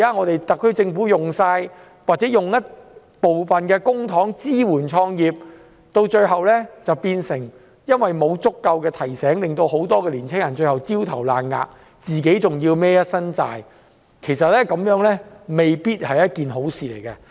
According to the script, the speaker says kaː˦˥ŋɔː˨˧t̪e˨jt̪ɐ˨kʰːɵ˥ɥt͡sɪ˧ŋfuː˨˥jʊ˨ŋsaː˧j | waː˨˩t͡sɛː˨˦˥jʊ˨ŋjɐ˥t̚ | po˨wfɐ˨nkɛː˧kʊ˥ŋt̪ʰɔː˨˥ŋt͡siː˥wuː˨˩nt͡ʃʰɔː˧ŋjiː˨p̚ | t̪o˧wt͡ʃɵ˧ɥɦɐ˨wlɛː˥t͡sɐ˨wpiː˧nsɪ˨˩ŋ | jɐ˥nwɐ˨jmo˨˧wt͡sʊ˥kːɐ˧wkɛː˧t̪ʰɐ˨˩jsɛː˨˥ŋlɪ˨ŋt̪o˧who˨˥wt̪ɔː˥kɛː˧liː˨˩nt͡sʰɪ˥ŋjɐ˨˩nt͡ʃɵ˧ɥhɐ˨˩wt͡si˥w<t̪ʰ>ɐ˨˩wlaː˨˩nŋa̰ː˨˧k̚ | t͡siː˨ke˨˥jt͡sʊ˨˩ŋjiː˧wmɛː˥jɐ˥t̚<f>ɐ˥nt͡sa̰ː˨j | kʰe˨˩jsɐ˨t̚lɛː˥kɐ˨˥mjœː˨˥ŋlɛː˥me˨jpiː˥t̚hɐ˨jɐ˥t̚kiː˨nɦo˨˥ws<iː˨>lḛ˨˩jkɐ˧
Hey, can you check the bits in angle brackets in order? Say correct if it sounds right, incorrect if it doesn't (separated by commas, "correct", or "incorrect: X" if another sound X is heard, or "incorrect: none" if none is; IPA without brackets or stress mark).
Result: correct, incorrect: s, correct